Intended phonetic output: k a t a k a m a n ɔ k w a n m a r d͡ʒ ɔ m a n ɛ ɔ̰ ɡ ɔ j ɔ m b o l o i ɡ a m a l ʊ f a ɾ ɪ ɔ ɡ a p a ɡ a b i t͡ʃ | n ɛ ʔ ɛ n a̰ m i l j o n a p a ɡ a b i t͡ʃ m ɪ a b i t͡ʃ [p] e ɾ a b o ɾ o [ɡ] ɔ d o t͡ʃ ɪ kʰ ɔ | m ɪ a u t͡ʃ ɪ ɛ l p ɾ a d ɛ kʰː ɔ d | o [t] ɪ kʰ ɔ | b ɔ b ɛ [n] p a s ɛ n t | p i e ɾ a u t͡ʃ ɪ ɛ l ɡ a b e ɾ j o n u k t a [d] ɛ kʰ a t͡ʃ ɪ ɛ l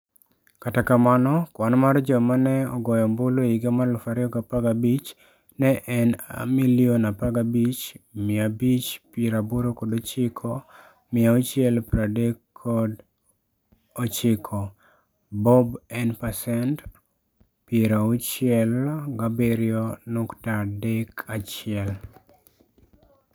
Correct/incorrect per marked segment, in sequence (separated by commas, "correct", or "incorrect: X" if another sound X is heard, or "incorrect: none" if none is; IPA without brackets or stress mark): correct, incorrect: k, incorrect: t͡ʃ, correct, correct